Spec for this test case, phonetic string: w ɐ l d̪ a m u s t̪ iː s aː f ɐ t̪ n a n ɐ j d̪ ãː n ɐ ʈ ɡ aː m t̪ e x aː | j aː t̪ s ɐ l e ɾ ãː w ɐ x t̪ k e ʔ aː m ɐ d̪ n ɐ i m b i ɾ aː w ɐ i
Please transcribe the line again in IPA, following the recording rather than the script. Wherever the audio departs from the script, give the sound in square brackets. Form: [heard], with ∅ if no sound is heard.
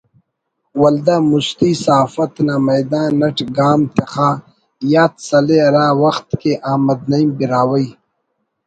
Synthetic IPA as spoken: w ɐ l d̪ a m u s t̪ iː s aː f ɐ t̪ n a [m] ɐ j d̪ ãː n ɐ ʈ ɡ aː m t̪ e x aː | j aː t̪ s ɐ l e ɾ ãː w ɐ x t̪ k e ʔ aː m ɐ d̪ n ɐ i m b i ɾ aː w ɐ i

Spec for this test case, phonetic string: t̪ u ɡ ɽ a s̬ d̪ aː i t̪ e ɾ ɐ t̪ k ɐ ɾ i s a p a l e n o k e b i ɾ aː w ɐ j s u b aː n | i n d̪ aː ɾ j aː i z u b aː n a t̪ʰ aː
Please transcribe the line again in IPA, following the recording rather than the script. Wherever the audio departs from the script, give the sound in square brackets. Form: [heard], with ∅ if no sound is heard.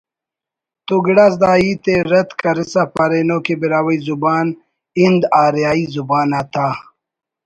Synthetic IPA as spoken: t̪ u ɡ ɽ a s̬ d̪ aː i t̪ e ɾ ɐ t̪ k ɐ ɾ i s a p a [ɾ] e n o k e b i ɾ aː w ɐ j [z] u b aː n | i n d̪ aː ɾ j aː i z u b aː n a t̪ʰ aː

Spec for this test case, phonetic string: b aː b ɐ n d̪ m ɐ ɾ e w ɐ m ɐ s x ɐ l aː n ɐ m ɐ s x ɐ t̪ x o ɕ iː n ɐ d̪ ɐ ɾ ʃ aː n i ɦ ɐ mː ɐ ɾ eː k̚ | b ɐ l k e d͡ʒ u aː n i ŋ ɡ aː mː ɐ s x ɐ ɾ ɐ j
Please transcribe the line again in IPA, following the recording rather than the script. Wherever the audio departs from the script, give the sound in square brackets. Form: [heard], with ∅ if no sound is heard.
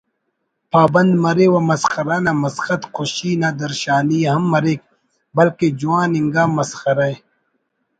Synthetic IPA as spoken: [p] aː b ɐ n d̪ m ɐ ɾ e w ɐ m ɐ s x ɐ [ɾ] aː n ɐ m ɐ s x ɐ t̪ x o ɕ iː n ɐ d̪ ɐ ɾ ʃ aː n i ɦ ɐ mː ɐ ɾ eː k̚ | b ɐ l k e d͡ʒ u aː n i ŋ ɡ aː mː ɐ s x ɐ ɾ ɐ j

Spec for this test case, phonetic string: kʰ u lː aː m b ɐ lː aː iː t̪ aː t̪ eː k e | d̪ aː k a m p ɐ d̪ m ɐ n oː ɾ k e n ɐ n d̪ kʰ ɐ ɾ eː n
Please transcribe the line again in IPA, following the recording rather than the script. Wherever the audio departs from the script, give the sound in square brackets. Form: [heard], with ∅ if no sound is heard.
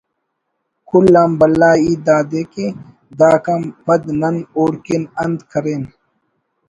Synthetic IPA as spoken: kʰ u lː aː m b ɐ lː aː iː [d̪] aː [d̪] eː k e | d̪ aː k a m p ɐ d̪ [n] ɐ n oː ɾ k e n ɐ n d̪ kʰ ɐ ɾ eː n

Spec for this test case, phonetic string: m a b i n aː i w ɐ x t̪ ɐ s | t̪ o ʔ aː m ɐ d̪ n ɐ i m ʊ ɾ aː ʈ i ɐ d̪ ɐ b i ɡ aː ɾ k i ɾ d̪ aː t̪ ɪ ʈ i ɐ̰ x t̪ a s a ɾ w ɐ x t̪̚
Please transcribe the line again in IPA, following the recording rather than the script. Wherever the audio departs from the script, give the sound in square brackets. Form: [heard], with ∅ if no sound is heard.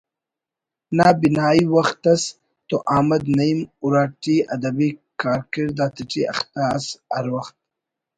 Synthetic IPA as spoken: [n] a b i n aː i w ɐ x t̪ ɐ s | t̪ o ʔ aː m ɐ d̪ n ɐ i m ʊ ɾ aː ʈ i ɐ d̪ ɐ b i [k] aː ɾ k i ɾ d̪ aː t̪ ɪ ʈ i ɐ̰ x t̪ a s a ɾ w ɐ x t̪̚

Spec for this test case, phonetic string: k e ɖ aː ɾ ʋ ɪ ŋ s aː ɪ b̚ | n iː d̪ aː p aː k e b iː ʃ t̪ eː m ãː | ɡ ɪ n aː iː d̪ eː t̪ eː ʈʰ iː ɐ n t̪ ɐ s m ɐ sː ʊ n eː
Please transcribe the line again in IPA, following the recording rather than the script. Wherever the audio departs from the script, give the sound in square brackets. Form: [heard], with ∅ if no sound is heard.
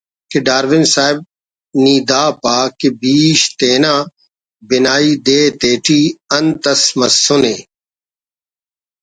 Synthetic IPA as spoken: k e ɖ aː ɾ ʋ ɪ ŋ s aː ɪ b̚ | n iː d̪ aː p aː k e b iː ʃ t̪ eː [n] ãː | [b] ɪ n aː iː d̪ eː t̪ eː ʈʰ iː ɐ n t̪ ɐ s m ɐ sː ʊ n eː

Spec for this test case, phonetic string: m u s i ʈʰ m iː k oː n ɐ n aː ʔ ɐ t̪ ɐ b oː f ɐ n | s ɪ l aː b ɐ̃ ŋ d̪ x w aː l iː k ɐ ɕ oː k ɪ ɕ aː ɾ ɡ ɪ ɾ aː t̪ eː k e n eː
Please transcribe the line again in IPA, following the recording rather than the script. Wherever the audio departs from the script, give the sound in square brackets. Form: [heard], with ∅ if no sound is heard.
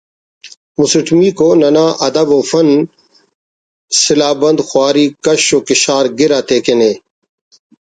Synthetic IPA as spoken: m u s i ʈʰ m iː k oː n ɐ n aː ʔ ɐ [d̪] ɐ b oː f ɐ n | s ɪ l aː b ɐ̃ [n] d̪ x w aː [ɾ] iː k ɐ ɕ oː k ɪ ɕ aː ɾ ɡ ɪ ɾ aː t̪ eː k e n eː

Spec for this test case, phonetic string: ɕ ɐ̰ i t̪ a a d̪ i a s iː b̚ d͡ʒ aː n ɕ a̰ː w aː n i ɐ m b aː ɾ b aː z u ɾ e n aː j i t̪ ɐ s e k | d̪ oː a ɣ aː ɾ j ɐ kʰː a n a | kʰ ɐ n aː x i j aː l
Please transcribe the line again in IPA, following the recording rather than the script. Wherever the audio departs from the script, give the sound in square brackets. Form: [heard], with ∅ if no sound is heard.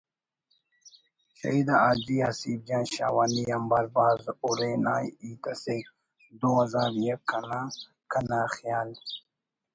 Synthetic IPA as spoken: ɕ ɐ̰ i [d̪] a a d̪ i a s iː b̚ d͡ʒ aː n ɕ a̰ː w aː n i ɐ m b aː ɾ b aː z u ɾ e n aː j i t̪ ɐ s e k | d̪ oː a [z] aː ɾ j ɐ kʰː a n a | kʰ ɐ n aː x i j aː l

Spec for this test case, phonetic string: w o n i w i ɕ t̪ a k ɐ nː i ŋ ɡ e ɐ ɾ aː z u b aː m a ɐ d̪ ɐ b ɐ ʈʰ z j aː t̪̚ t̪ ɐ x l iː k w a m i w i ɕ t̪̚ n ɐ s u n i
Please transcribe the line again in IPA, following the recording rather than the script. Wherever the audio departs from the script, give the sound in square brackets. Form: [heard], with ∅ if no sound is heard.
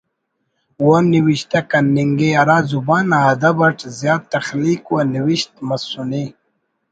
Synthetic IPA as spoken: w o n i w i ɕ t̪ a k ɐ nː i ŋ ɡ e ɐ ɾ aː z u b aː [n] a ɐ d̪ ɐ b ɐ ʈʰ z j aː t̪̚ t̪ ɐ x l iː k w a [n] i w i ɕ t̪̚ [m] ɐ s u n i

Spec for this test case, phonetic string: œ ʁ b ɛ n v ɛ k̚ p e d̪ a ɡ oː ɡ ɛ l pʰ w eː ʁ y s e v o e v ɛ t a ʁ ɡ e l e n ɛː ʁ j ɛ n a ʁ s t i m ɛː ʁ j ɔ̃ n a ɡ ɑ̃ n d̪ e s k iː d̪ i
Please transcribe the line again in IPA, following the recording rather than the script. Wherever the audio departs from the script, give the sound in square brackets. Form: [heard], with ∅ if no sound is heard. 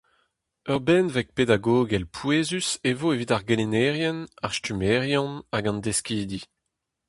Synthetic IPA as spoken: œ ʁ b ɛ n v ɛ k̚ p e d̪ a ɡ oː ɡ ɛ l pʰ w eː [z] y s e v o e v [i] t a ʁ ɡ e l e n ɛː ʁ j ɛ n a ʁ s t [y] m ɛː ʁ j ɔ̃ n a ɡ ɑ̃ n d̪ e s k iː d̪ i

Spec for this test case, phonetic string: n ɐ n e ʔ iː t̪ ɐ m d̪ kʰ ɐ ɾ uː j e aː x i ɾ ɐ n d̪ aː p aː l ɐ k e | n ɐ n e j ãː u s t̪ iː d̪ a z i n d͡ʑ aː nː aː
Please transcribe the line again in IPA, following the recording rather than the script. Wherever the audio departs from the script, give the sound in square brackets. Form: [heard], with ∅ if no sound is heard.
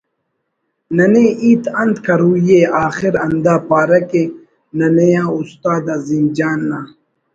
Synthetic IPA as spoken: n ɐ n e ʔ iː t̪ ɐ [n] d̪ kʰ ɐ ɾ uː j e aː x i ɾ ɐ n d̪ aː p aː [ɾ] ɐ k e | n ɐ n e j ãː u s t̪ [aː] d̪ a z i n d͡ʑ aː nː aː

